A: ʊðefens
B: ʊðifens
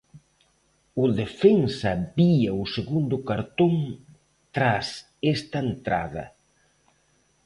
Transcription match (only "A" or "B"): A